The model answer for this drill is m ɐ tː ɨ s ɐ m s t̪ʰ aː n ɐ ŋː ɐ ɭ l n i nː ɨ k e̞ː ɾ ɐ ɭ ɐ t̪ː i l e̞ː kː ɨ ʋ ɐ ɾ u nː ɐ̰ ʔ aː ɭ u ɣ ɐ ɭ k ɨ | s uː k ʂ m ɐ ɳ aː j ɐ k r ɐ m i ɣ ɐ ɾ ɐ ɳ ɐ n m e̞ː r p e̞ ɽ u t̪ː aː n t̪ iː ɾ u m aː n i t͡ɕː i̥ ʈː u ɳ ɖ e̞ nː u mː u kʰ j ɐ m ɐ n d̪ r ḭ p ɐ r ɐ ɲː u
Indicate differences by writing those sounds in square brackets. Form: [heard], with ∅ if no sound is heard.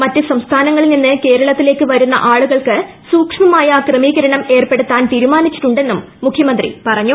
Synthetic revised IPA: m ɐ tː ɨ s ɐ m s t̪ʰ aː n ɐ ŋː ɐ ɭ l n i nː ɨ k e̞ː ɾ ɐ ɭ ɐ t̪ː i l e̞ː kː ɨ ʋ ɐ ɾ u nː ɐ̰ ʔ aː ɭ u ɣ ɐ ɭ k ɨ | s uː k ʂ m ɐ [m] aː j ɐ k r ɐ m [iː] ɣ ɐ ɾ ɐ ɳ ɐ [∅] m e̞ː r p e̞ ɽ u t̪ː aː n t̪ iː ɾ u m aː n i t͡ɕː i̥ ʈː u ɳ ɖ e̞ nː u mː u kʰ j ɐ m ɐ n d̪ r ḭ p ɐ r ɐ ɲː u